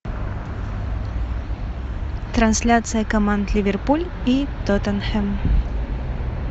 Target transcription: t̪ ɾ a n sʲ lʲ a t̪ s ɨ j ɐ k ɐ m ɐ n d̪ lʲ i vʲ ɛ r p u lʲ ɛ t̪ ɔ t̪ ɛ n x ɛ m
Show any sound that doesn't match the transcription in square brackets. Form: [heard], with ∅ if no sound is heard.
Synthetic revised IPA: t̪ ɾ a n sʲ lʲ a t̪ s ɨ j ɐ k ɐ m [a] n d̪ lʲ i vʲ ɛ r p u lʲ [i] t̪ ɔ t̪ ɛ n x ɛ m